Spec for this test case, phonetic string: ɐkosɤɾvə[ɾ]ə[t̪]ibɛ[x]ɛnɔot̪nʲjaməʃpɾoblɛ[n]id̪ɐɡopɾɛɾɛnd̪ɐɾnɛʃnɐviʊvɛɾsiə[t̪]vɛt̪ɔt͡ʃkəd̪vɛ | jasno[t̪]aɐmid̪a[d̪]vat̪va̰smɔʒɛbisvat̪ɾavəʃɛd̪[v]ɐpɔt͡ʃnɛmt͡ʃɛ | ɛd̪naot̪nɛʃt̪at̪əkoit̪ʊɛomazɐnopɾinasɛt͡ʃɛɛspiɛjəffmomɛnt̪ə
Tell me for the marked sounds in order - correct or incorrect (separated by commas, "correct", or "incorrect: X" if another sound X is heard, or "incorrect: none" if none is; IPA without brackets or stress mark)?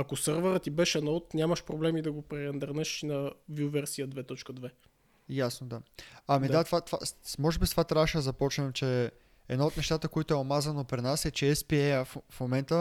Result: correct, correct, incorrect: ʃ, incorrect: m, incorrect: d̪, incorrect: d̪, incorrect: t̪, incorrect: z